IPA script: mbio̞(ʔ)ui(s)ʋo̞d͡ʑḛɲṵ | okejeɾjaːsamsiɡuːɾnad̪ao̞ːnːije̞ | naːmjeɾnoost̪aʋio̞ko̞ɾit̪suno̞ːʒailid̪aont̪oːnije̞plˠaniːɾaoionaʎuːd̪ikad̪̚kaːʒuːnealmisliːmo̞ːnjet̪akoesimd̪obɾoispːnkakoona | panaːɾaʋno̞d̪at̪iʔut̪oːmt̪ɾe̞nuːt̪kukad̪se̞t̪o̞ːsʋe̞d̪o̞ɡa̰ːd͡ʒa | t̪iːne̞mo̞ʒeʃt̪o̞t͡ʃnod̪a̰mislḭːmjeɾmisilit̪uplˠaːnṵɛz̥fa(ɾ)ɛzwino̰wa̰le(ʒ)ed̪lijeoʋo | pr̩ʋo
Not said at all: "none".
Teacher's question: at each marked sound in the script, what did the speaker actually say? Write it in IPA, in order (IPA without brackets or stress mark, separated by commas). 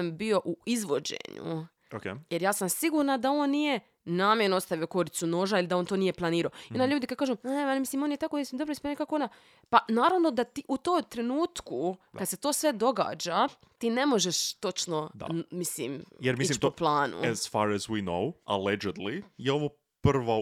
ʔ, z, ɾ, d͡ʒ